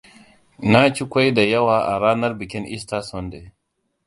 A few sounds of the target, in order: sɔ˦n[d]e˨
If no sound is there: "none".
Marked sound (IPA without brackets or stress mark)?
d